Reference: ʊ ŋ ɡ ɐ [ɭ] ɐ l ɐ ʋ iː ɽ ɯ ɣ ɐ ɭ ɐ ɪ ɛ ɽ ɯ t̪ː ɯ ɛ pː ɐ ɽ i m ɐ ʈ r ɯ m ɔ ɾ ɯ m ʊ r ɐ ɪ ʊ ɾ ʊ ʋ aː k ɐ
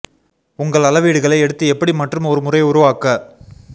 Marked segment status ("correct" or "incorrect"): correct